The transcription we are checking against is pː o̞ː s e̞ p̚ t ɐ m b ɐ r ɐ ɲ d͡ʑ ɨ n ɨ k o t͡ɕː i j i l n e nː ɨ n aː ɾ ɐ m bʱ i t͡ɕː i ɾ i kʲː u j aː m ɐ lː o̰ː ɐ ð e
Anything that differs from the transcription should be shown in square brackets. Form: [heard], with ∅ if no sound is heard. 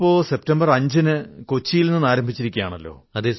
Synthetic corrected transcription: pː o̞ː s e̞ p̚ t ɐ m b ɐ r ɐ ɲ d͡ʑ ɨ n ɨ k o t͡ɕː i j i l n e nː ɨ n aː ɾ ɐ m bʱ i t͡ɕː i ɾ i kʲː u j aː [ɳ] ɐ lː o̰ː ɐ ð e